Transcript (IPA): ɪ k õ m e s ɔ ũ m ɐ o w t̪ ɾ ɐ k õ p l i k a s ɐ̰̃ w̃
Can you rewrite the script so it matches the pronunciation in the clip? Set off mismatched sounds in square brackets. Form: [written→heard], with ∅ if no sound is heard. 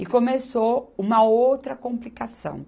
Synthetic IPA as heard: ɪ k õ m e s [ɔ→o] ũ m ɐ o w t̪ ɾ ɐ k õ p l i k a s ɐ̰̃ w̃